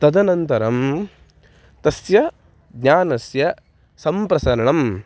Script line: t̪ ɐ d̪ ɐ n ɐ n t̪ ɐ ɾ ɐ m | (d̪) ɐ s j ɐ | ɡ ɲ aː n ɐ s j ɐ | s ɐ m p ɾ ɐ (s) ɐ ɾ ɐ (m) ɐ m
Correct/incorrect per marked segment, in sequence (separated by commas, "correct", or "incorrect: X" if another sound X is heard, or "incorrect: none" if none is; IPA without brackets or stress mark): incorrect: t̪, correct, incorrect: ɳ